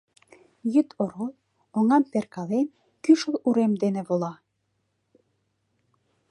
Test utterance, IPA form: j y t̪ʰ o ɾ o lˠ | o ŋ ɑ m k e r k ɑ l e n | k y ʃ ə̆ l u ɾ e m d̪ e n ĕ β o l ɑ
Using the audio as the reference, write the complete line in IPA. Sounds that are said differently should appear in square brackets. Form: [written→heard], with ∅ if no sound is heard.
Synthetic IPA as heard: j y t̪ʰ o ɾ o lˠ | o ŋ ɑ m [k→p] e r k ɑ l e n | k y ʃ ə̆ l u ɾ e m d̪ e n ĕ β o l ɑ